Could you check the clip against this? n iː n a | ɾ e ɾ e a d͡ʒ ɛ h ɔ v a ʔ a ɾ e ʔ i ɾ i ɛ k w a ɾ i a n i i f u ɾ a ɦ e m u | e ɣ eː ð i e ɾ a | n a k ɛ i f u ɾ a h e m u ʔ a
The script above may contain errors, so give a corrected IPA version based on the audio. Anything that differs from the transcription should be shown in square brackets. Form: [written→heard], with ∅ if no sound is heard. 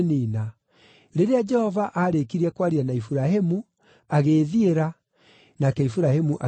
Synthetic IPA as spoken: n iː n a | ɾ e ɾ e a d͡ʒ ɛ h ɔ v a ʔ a ɾ e [ʔ→k] i ɾ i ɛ k w a ɾ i a n [i→a] i f u ɾ a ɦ e m u | [e→a] ɣ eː ð i e ɾ a | n a k ɛ i f u ɾ a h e m u ʔ a